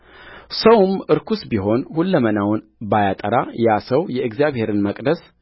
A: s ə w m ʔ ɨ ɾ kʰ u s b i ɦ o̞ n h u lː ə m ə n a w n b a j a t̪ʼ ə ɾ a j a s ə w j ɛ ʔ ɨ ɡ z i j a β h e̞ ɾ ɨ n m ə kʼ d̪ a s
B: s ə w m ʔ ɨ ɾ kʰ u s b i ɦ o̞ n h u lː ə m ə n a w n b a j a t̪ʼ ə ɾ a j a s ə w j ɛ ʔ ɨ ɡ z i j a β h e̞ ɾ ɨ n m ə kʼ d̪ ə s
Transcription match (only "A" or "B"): B